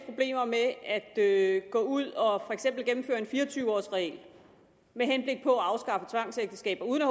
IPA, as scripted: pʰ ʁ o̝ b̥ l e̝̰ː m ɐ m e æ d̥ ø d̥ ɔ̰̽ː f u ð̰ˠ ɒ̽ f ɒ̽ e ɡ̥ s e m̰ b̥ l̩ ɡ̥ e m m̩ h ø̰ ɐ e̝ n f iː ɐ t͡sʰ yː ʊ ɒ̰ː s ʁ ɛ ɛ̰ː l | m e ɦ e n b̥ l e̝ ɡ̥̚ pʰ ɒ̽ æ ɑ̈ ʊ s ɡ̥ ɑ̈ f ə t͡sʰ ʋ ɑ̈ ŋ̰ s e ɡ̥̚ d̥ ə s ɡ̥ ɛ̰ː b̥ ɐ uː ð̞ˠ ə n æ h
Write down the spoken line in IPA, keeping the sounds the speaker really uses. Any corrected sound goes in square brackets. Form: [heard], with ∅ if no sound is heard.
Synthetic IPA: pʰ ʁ o̝ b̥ l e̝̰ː m ɐ m e æ d̥ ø [ɡ̥] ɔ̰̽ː [∅] u ð̰ˠ ɒ̽ f ɒ̽ e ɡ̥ s e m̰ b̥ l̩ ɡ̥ e m m̩ [f] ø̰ ɐ e̝ n f iː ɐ t͡sʰ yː ʊ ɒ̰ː s ʁ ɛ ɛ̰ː l | m e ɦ e n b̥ l e̝ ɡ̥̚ pʰ ɒ̽ æ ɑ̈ ʊ s ɡ̥ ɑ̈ f ə t͡sʰ ʋ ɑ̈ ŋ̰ s e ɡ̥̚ d̥ ə s ɡ̥ ɛ̰ː b̥ ɐ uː ð̞ˠ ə n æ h